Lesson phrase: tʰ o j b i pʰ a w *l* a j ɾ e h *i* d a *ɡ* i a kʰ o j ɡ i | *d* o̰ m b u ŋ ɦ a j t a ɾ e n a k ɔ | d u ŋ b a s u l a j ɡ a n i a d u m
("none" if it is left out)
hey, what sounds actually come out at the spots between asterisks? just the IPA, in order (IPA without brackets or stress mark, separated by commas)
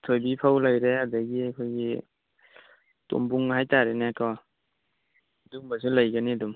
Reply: l, a, ɡ, t